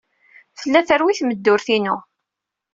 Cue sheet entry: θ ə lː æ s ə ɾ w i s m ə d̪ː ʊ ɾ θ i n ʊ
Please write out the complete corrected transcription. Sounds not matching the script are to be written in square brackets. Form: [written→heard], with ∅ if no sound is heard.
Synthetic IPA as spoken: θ ə lː æ [s→θ] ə ɾ w i [s→θ] m ə d̪ː ʊ ɾ θ i n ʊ